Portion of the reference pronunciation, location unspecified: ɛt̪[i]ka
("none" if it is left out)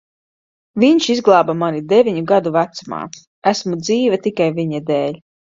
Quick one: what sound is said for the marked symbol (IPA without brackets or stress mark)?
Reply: i